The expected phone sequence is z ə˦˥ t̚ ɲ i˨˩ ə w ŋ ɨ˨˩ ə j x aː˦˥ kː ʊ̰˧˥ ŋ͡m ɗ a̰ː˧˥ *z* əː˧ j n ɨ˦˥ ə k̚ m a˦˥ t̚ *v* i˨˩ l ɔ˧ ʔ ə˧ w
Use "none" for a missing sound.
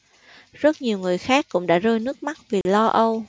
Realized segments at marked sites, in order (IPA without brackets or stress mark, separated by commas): z, v